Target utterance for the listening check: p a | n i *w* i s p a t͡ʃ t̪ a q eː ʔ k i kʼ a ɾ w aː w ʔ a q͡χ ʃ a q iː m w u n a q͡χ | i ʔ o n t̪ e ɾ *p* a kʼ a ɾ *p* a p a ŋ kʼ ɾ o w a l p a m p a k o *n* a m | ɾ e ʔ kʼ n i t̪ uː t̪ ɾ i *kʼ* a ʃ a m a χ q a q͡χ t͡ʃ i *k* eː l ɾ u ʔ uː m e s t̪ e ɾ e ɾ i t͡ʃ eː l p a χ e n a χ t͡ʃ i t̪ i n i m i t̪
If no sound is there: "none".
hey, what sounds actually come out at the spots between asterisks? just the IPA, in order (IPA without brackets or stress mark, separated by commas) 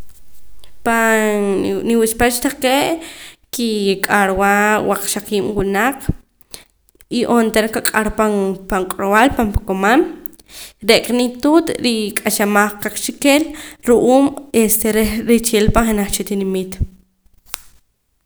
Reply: w, k, p, m, kʼ, k